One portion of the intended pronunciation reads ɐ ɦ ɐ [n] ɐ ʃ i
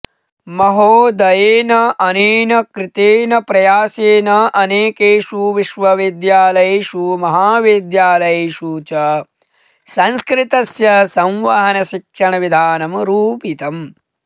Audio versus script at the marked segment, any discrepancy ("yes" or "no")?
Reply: no